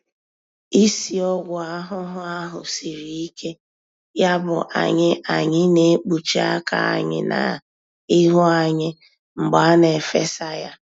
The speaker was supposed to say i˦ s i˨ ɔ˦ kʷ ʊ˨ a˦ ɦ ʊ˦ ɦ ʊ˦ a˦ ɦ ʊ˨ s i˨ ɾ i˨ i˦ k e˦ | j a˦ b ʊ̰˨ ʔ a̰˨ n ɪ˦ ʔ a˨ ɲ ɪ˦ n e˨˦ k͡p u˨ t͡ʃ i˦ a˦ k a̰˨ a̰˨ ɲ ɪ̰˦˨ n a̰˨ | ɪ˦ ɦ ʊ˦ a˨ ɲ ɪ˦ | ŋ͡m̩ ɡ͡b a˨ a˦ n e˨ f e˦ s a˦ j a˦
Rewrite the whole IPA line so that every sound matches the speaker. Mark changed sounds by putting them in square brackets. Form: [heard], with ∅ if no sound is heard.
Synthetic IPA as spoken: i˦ s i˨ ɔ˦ [ɡʷ] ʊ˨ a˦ ɦ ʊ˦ ɦ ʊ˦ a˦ ɦ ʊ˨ s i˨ ɾ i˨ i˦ k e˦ | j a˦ b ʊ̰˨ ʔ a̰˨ [ɲ] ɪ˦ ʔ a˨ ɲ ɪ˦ n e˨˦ k͡p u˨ t͡ʃ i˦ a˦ k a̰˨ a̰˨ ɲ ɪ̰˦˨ n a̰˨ | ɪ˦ ɦ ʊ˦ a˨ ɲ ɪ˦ | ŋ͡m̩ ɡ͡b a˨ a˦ n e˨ f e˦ s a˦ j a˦